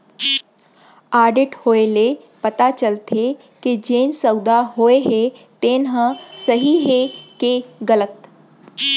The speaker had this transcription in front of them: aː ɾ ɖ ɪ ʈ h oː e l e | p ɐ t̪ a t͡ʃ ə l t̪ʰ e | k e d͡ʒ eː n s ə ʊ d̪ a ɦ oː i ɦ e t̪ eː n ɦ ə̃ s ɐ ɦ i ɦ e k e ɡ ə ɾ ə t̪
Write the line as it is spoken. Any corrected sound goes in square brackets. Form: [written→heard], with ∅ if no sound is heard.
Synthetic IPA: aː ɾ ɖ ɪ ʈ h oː e l e | p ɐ t̪ a t͡ʃ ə l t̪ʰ e | k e d͡ʒ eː n s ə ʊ d̪ a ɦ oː [i→e] ɦ e t̪ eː n ɦ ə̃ s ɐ ɦ i ɦ e k e ɡ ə [ɾ→l] ə t̪